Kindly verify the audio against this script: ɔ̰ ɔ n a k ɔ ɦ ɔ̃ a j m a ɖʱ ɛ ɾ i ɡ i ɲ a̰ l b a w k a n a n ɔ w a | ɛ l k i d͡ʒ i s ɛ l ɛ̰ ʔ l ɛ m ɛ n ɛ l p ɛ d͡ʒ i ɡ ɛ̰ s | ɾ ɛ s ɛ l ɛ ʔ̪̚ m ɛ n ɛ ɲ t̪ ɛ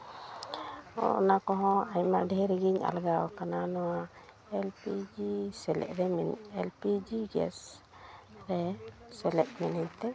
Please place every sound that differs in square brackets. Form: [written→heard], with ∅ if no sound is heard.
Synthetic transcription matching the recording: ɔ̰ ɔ n a k ɔ ɦ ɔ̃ a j m a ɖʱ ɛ ɾ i ɡ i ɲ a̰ l [b→ɡ] a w k a n a n ɔ w a | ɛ l [k→p] i d͡ʒ i s ɛ l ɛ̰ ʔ [l→ɾ] ɛ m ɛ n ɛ l p [ɛ→i] d͡ʒ i ɡ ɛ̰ s | ɾ ɛ s ɛ l ɛ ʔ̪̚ m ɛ n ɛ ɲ t̪ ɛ